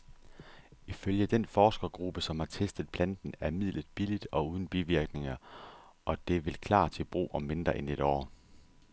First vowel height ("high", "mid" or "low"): high